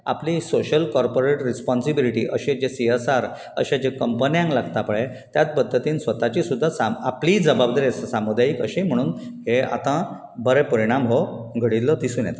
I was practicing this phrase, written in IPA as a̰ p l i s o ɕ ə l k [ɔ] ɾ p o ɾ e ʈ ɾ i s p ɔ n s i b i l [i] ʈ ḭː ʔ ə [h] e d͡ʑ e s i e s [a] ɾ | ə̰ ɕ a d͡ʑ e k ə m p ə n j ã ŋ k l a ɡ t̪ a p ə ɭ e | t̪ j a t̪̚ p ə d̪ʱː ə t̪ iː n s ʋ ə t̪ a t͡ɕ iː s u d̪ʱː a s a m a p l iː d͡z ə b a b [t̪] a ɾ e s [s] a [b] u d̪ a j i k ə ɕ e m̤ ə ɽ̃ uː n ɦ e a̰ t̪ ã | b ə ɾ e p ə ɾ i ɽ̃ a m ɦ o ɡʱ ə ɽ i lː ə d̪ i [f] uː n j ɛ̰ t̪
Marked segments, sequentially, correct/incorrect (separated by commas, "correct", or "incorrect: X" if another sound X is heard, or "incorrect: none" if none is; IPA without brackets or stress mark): correct, correct, incorrect: ɕ, correct, incorrect: d̪, correct, incorrect: m, incorrect: s